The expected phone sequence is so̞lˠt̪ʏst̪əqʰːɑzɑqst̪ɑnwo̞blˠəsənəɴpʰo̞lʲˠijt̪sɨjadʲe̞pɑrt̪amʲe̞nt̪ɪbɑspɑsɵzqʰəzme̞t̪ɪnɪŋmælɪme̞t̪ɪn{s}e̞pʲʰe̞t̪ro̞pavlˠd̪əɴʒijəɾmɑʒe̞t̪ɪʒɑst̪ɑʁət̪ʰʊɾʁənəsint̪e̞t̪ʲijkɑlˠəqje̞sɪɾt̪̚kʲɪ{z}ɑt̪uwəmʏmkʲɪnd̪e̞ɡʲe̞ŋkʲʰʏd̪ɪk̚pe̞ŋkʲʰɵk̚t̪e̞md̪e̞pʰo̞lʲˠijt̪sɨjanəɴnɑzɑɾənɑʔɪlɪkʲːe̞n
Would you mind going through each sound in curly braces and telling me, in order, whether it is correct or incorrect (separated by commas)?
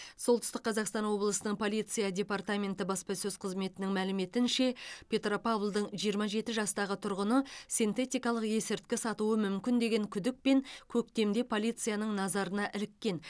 incorrect, incorrect